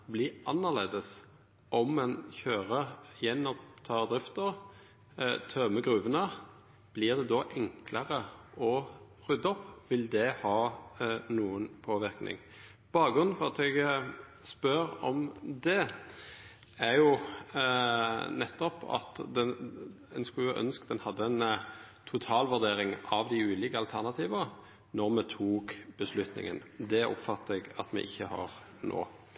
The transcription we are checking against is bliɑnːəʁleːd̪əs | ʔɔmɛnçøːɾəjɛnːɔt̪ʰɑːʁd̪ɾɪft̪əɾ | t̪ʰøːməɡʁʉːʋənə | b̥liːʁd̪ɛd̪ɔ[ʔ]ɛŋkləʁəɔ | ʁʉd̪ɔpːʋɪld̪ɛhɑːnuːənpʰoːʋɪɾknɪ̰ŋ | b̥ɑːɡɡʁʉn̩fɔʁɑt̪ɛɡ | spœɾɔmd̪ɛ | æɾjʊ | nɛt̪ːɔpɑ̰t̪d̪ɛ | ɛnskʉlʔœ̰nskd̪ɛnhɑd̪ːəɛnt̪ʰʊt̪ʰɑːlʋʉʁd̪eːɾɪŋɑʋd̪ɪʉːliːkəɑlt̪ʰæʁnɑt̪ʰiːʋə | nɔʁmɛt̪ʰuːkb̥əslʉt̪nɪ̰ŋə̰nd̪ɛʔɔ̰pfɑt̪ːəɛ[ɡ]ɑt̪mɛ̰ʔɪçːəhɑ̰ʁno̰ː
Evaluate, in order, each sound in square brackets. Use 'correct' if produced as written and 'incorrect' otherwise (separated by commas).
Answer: correct, correct